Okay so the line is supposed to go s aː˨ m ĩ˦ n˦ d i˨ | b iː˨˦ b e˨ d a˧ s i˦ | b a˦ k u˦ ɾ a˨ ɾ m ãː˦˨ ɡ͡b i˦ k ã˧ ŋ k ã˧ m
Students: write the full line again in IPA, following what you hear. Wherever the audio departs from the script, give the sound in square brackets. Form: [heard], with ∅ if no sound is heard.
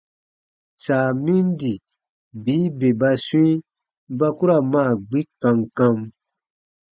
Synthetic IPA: s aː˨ m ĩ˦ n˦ d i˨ | b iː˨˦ b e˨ [b] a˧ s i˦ | b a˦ k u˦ ɾ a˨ [∅] m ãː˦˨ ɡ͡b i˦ k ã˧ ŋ k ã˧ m